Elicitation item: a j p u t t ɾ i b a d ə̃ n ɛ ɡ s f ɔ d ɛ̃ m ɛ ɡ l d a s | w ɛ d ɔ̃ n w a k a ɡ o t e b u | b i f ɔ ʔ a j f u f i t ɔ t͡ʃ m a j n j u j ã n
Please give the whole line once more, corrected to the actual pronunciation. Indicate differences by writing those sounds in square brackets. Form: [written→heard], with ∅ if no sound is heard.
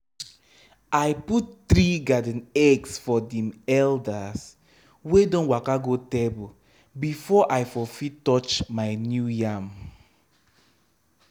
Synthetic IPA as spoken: a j p u t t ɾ i [b→ɡ] a d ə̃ n ɛ ɡ s f ɔ d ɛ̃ m ɛ [ɡ→∅] l d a s | w [ɛ→e] d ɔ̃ n w a k a ɡ o t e b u | b i f ɔ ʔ a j f [u→ɔ] f i t ɔ t͡ʃ m a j n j u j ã [n→m]